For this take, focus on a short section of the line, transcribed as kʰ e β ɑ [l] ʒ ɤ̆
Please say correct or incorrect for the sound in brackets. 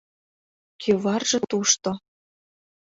incorrect